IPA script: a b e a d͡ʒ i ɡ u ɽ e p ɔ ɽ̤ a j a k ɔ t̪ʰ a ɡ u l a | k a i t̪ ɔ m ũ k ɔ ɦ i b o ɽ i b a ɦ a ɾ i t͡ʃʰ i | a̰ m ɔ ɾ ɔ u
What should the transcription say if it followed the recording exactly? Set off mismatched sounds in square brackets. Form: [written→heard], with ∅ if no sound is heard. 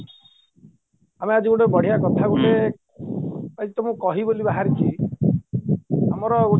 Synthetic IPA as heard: a [b→m] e a d͡ʒ i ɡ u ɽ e [p→b] ɔ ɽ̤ [a→i] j a k ɔ t̪ʰ a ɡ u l [a→e] | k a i t̪ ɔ m ũ k ɔ ɦ i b o [ɽ→l] i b a ɦ a ɾ i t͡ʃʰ i | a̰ m ɔ ɾ ɔ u